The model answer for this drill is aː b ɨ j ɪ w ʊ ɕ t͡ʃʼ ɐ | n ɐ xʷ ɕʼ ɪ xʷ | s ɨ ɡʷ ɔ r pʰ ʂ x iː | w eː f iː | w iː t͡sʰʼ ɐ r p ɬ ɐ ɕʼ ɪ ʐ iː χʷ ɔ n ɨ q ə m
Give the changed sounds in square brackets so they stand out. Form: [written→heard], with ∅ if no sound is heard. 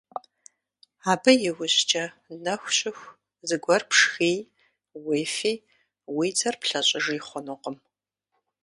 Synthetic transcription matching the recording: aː b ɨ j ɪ w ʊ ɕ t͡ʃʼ ɐ | n ɐ xʷ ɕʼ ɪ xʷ | [s→z] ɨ ɡʷ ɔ r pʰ ʂ x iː | w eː f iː | w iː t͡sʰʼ ɐ r p ɬ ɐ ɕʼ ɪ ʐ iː χʷ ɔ n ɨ q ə m